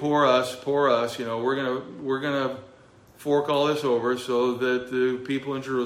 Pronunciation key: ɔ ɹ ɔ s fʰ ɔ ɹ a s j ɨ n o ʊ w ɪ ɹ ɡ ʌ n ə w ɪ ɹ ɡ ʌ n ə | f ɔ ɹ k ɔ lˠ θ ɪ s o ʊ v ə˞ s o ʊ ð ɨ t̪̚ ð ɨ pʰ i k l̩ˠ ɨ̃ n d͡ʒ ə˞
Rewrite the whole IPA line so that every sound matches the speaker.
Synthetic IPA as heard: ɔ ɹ ʌ s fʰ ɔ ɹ ʌ s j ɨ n o ʊ w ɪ ɹ ɡ ʌ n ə w ɪ ɹ ɡ ʌ n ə | f ɔ ɹ k ɔ lˠ ð ɪ s o ʊ v ə˞ s o ʊ ð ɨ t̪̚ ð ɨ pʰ i p l̩ˠ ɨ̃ n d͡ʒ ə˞